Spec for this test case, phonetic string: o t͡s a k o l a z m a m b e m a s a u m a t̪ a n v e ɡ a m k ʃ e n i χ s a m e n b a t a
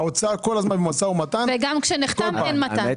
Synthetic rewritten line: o t͡s a k o l a z m a n b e m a s a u m a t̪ a n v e ɡ a m k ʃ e n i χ t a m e n m a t a